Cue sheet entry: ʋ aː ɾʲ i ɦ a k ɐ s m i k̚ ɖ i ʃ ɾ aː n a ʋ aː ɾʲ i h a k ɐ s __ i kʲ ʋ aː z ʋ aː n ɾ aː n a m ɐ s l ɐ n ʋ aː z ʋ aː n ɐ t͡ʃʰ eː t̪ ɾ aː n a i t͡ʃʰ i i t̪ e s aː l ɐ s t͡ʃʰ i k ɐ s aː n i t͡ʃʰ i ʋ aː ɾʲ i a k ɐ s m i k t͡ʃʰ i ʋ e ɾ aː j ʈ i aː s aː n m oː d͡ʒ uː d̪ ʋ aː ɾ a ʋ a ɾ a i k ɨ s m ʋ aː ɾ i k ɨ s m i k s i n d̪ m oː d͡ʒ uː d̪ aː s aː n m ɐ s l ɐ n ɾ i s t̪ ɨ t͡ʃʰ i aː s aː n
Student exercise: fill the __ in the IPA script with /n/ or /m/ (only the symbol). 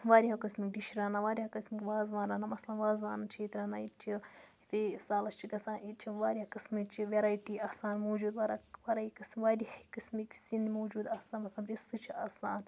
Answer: m